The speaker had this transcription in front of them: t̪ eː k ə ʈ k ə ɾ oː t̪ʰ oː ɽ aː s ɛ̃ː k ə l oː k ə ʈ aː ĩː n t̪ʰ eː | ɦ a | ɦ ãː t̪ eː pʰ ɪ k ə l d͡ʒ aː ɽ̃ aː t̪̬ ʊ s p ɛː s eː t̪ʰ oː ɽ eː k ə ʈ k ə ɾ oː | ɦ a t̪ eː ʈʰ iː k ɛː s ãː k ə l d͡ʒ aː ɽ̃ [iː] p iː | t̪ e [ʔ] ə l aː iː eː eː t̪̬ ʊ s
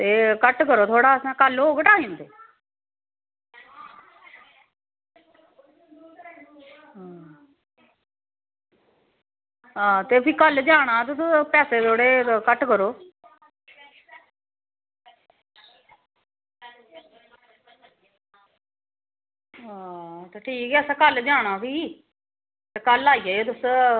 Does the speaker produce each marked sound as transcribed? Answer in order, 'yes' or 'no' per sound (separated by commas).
no, no